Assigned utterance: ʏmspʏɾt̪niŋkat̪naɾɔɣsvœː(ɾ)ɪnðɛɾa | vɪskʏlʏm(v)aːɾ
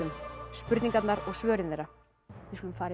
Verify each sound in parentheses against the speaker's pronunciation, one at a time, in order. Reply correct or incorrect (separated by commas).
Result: correct, incorrect